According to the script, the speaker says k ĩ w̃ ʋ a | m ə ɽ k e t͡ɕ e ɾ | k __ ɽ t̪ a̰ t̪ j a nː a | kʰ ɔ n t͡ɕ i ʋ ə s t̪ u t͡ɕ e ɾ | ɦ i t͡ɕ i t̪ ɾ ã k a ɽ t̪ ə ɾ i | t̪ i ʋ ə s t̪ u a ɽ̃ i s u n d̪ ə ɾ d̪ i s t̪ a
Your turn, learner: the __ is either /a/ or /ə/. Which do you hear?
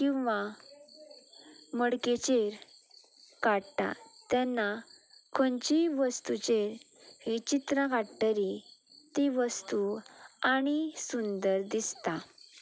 a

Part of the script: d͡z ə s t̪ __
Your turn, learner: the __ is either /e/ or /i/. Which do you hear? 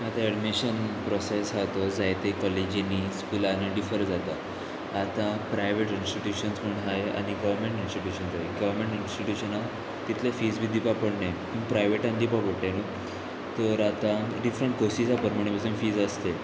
e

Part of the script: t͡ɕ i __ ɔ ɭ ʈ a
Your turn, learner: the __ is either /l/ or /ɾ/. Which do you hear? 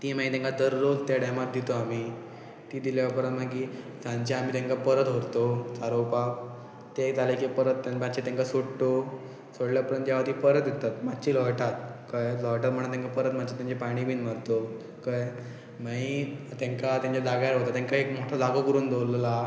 l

